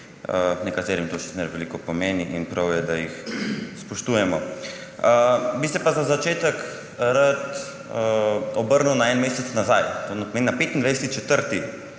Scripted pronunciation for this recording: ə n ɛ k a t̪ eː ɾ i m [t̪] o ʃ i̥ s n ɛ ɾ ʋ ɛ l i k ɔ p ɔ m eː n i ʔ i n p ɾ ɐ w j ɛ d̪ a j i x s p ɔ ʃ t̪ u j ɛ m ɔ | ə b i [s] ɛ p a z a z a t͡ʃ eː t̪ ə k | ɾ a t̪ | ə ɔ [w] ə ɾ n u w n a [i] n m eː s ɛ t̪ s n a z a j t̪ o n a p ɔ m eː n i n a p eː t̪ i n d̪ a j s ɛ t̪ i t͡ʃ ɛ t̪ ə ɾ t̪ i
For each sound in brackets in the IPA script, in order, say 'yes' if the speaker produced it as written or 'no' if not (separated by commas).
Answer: yes, yes, no, no